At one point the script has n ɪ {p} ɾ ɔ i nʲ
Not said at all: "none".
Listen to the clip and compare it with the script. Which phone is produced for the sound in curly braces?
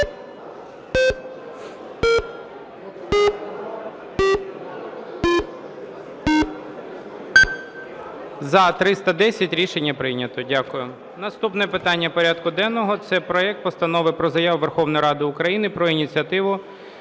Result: p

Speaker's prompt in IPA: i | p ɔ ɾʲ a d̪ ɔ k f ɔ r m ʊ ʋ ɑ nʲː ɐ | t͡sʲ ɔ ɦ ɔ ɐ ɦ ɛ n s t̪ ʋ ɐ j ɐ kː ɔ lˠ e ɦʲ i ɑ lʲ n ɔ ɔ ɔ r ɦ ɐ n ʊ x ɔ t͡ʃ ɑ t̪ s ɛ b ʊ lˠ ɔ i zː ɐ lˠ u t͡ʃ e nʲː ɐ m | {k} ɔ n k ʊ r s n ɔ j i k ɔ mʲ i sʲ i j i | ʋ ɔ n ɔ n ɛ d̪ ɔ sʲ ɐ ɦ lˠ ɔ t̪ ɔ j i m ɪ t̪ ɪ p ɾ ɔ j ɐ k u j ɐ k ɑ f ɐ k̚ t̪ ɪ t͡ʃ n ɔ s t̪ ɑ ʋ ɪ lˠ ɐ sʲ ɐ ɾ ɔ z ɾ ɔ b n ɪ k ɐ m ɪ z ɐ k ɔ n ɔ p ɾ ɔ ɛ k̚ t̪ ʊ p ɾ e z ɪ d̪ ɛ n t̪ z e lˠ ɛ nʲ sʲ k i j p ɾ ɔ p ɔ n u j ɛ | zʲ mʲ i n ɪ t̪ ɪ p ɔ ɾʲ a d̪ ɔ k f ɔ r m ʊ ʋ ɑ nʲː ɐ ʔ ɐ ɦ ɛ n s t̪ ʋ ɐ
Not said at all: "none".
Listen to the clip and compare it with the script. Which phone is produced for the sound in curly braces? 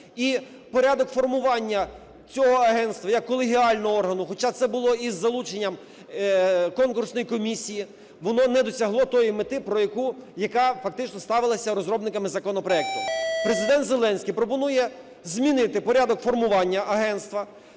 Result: k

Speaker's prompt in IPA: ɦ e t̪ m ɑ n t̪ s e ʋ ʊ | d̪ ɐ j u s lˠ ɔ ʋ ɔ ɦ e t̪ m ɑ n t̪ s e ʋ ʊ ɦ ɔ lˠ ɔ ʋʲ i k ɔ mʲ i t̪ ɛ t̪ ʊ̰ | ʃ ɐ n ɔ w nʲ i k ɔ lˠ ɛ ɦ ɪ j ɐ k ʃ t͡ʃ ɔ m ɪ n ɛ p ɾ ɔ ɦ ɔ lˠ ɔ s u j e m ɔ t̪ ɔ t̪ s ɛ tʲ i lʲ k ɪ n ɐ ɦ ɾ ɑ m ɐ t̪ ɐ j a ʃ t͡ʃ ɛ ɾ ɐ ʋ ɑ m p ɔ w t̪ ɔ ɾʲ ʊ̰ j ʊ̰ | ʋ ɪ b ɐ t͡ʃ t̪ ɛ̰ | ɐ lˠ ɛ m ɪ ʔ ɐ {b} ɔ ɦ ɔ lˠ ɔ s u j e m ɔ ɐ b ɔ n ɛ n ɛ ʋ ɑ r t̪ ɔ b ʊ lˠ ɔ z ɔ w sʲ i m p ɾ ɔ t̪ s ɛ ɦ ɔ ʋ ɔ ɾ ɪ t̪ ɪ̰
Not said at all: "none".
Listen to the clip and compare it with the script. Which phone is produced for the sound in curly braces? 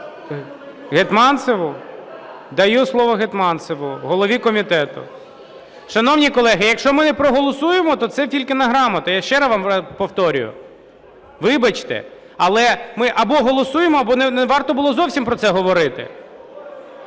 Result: b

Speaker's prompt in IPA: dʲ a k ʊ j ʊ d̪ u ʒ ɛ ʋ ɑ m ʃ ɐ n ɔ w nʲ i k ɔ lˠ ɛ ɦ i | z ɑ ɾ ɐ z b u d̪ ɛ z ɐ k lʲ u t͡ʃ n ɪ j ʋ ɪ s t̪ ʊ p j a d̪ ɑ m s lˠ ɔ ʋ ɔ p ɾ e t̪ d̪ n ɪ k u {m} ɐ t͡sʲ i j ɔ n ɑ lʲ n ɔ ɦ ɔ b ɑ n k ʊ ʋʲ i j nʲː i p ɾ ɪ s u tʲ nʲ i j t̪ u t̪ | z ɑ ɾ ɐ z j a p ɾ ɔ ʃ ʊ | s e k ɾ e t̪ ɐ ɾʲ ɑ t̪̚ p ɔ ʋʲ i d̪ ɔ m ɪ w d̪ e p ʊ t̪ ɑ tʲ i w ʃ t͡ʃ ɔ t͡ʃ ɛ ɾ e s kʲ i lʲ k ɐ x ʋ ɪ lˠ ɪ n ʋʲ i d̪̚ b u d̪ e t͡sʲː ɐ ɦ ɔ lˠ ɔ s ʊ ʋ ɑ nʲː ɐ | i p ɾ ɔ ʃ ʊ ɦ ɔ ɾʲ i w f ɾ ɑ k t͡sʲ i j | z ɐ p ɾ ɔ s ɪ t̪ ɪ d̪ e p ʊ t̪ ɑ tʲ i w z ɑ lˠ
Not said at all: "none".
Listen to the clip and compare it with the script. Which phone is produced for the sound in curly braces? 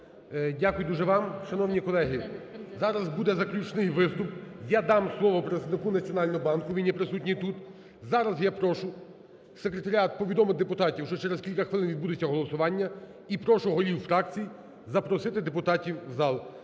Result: n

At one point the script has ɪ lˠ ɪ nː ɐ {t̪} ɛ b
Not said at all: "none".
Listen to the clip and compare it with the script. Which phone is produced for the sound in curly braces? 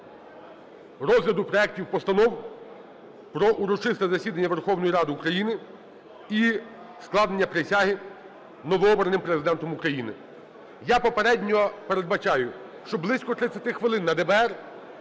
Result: d̪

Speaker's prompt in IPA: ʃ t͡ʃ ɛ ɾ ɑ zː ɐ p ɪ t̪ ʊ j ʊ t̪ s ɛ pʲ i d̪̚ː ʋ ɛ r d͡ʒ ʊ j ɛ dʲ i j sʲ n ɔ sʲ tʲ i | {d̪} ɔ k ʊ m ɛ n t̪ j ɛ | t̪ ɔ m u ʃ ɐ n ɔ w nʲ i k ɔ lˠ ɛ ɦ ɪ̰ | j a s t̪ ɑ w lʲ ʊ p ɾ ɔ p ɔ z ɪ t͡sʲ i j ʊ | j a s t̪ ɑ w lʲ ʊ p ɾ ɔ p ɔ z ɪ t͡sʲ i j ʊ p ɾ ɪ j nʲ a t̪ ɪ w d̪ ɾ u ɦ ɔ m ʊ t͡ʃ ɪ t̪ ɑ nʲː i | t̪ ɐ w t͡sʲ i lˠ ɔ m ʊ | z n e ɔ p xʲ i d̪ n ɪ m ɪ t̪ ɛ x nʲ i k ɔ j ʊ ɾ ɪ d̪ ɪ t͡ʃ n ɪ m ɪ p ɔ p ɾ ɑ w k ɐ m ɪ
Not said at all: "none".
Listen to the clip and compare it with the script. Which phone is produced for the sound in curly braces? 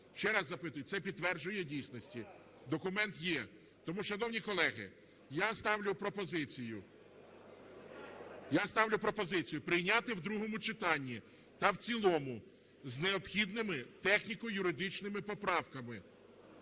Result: d̪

